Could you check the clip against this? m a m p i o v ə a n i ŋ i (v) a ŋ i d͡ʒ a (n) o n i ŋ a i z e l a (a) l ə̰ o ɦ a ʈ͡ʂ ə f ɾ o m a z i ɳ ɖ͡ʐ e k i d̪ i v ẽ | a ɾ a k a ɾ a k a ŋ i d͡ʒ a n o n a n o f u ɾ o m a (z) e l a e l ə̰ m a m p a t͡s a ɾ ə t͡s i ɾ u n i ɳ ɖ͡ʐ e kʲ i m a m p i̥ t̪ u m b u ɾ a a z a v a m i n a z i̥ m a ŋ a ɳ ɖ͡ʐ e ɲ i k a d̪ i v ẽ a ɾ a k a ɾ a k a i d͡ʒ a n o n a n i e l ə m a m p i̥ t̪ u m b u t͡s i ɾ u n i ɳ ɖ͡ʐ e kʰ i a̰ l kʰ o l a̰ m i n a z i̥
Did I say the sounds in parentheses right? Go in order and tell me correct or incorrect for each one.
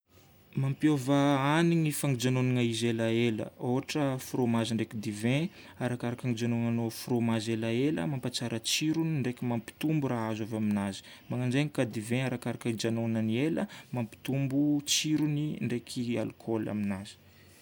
incorrect: f, correct, incorrect: e, correct

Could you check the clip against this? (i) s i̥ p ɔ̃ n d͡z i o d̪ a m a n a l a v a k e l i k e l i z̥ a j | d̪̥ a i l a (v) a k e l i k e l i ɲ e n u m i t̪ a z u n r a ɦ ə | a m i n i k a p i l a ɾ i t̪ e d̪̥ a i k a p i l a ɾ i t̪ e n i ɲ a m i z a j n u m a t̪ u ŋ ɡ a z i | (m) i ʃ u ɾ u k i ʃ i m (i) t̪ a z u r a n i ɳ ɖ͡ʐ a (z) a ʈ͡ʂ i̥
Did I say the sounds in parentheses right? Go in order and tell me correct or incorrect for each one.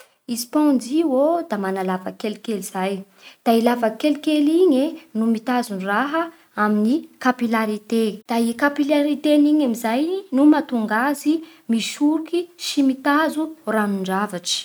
correct, correct, correct, correct, incorrect: v

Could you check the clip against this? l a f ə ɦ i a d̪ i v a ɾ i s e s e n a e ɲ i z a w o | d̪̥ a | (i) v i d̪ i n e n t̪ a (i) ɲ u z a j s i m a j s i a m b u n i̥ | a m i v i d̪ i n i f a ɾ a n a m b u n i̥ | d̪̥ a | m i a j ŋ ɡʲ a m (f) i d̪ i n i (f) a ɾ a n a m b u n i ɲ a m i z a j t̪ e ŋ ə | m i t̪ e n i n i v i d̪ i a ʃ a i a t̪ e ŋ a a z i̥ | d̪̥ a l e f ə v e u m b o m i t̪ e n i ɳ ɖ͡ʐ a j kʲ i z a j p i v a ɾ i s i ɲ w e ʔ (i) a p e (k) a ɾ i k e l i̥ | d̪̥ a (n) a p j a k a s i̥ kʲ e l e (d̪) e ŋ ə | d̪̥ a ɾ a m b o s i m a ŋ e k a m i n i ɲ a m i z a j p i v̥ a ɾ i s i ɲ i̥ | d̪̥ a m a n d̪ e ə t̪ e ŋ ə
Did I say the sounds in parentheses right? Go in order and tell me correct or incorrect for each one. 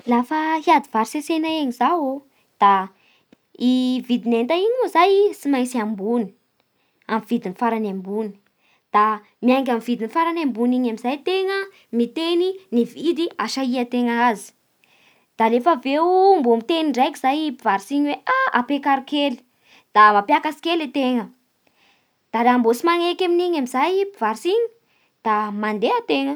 correct, correct, incorrect: v, correct, incorrect: a, correct, incorrect: m, incorrect: t̪

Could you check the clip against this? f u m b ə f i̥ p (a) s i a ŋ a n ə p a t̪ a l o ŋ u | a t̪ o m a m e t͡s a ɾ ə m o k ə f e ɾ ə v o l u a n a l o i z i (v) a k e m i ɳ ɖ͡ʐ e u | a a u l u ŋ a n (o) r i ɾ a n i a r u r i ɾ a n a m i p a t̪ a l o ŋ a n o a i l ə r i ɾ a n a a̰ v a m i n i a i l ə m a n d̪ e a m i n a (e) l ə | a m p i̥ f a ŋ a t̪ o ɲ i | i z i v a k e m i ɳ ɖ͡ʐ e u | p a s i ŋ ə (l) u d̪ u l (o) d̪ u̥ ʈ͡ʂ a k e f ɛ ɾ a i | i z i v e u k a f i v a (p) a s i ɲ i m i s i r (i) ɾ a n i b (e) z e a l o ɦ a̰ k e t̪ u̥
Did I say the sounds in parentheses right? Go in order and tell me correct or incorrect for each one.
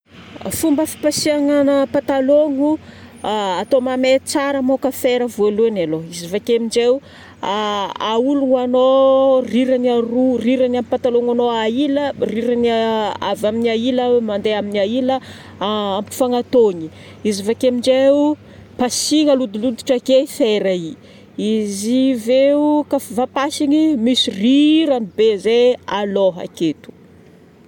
correct, correct, correct, incorrect: i, correct, incorrect: u, correct, correct, correct

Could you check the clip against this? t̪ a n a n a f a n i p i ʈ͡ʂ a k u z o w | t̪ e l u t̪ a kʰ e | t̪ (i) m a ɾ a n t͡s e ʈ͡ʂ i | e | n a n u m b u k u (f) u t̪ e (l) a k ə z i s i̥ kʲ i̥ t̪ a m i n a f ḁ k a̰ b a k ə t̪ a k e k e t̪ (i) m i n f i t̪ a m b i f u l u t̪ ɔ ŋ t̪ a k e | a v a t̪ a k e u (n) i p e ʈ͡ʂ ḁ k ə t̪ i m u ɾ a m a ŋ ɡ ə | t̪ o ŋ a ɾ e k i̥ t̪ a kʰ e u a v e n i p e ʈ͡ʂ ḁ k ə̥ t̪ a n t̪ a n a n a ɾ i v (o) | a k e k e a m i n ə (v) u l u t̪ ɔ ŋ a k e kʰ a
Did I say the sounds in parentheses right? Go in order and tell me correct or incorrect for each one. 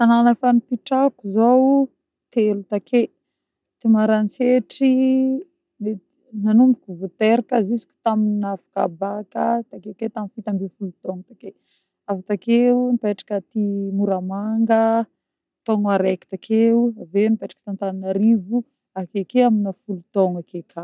correct, incorrect: v, incorrect: ɾ, incorrect: a, correct, incorrect: u, incorrect: f

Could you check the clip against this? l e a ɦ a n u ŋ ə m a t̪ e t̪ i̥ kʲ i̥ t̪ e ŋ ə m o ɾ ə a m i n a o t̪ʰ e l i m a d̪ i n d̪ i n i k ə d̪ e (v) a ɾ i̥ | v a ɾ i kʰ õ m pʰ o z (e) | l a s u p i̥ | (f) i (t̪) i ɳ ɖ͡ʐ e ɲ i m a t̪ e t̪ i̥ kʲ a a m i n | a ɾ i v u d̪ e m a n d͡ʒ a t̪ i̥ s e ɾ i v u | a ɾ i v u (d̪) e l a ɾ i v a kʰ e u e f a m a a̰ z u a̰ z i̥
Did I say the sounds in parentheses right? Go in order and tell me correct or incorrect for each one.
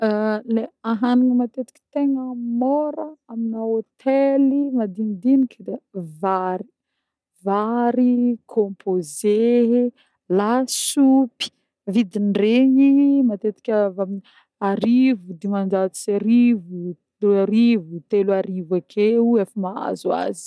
correct, correct, incorrect: v, incorrect: d̪, incorrect: t̪

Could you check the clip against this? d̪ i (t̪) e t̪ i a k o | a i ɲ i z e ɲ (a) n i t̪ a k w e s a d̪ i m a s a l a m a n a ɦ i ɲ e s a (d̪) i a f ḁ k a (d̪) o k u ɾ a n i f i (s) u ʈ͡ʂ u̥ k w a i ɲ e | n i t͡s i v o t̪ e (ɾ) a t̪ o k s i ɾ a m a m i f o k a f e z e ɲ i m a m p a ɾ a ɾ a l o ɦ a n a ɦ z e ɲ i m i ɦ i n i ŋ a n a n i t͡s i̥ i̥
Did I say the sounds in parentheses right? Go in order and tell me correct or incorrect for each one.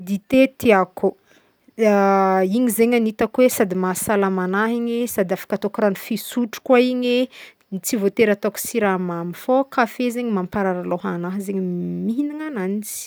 correct, correct, correct, incorrect: t̪, correct, correct

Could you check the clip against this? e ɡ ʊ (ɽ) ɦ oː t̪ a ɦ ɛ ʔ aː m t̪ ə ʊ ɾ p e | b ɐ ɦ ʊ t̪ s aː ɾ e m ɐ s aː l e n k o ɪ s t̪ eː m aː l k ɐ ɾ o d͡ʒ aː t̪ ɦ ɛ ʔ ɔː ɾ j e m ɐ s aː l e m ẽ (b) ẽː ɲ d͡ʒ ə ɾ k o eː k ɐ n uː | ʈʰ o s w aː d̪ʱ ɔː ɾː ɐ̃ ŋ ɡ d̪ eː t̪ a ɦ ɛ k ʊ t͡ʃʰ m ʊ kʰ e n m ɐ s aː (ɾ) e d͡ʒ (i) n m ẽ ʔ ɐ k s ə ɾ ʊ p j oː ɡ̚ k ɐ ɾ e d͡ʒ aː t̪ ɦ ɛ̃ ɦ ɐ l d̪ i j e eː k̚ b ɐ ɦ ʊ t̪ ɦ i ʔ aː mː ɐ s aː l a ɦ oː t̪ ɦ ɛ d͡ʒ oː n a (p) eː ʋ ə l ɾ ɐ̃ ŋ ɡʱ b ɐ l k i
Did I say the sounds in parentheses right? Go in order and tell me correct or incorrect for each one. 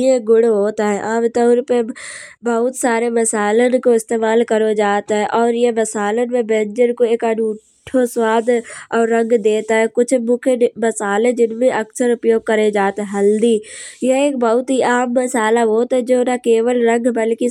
correct, correct, incorrect: l, incorrect: ɪ, incorrect: k

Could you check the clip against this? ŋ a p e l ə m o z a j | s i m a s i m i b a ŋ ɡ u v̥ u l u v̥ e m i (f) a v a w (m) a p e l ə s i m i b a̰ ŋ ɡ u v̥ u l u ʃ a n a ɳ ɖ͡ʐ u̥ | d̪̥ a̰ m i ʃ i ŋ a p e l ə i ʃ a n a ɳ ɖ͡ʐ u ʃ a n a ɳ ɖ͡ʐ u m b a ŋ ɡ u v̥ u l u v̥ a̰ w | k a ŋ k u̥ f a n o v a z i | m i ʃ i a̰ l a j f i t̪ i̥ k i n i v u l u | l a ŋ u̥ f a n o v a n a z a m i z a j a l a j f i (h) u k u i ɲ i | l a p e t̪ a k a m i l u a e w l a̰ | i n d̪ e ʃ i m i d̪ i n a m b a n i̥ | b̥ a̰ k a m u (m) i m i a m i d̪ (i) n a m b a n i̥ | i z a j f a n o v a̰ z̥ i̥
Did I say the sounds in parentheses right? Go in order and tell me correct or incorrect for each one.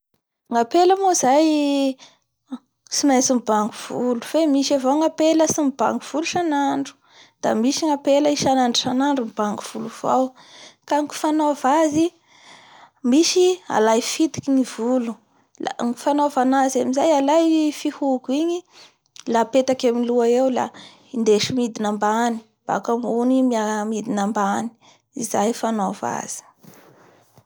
incorrect: ʃ, incorrect: ŋ, correct, incorrect: n, correct

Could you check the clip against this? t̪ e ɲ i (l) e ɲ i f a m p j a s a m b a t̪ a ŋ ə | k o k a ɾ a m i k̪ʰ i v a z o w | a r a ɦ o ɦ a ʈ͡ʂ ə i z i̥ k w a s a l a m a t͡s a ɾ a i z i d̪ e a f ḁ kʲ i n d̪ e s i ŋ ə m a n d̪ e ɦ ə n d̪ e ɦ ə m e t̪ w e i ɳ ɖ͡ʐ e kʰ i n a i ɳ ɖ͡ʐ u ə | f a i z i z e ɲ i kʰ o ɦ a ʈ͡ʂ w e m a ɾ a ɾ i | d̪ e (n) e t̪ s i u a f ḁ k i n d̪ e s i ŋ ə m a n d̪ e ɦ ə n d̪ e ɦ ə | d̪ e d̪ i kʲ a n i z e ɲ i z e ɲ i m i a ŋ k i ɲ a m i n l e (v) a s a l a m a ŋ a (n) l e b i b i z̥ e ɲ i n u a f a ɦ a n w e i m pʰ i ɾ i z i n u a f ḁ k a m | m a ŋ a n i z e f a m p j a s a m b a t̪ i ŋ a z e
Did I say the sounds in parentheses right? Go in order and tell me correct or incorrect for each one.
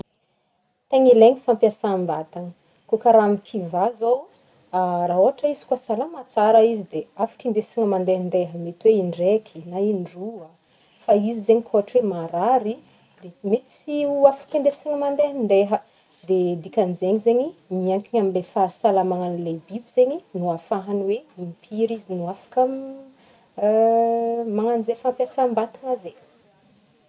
correct, incorrect: m, incorrect: f, correct

